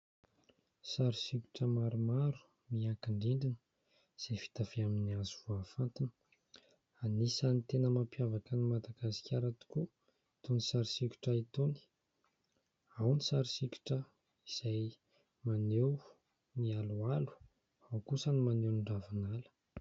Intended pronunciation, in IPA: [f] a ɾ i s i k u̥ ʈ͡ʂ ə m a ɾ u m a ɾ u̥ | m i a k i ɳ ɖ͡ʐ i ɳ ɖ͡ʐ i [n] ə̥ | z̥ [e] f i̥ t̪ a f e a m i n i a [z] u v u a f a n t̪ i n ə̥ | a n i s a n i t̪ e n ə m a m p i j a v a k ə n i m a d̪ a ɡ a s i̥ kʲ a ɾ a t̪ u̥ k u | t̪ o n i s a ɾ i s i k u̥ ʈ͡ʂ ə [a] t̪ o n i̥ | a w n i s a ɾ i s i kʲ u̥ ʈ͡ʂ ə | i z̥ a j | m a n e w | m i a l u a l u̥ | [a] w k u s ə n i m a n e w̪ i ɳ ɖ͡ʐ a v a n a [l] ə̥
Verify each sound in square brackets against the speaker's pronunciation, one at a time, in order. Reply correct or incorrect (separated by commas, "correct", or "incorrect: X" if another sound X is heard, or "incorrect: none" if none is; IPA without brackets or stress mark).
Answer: incorrect: s, correct, correct, correct, incorrect: i, correct, correct